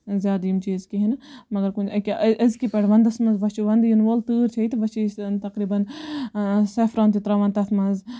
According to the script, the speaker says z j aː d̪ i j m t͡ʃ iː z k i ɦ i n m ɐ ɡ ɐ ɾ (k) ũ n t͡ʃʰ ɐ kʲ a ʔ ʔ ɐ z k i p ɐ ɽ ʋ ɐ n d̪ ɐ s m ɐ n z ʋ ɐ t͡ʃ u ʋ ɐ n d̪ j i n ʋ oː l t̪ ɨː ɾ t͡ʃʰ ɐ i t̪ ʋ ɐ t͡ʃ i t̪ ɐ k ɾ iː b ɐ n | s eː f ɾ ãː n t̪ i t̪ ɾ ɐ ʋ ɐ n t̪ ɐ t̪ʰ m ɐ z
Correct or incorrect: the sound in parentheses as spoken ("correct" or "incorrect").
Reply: correct